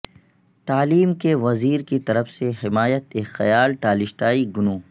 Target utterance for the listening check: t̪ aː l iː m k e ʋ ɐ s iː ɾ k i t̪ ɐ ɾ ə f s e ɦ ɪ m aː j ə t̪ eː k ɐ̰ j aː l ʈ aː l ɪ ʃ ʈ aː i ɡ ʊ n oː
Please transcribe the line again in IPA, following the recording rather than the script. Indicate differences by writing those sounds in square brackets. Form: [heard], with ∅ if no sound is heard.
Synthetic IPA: t̪ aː l iː m k e ʋ ɐ [z] iː ɾ k i t̪ ɐ ɾ ə f s e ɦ ɪ m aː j ə t̪ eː [x] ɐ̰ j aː l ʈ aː l ɪ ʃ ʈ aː i ɡ ʊ n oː